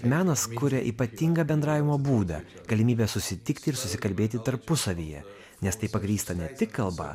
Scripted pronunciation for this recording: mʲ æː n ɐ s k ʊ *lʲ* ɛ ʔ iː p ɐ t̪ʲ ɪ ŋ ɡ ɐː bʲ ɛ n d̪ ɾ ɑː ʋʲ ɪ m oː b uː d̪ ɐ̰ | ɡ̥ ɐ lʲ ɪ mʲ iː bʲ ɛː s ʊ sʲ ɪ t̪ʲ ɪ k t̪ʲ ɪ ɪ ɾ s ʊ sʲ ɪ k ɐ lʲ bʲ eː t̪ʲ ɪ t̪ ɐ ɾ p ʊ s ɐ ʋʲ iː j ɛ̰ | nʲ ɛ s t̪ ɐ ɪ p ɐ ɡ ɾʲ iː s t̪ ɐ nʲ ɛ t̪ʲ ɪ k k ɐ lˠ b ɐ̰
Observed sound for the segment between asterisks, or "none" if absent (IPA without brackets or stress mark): ɾʲ